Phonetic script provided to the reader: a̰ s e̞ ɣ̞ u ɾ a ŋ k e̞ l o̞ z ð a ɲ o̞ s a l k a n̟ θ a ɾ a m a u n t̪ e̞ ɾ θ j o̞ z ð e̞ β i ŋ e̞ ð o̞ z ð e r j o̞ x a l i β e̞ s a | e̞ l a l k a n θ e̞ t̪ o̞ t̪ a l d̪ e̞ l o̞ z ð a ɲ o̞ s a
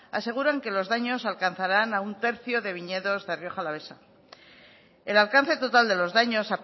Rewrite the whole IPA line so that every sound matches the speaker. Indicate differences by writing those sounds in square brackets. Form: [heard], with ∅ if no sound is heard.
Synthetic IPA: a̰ s e̞ ɣ̞ u ɾ a ŋ k e̞ l o̞ z ð a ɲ o̞ s a l k a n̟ θ a ɾ a [n] a u n t̪ e̞ ɾ θ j o̞ [∅] ð e̞ β i [ɲ] e̞ ð o̞ z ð e r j o̞ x a l [a] β e̞ s a | e̞ l a l k a n θ e̞ t̪ o̞ t̪ a l d̪ e̞ l o̞ z ð a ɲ o̞ s a